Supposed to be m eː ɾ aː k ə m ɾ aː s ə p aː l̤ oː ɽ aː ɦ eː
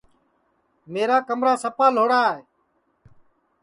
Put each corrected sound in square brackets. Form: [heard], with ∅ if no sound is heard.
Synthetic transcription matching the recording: m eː ɾ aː k ə m ɾ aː s ə p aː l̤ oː ɽ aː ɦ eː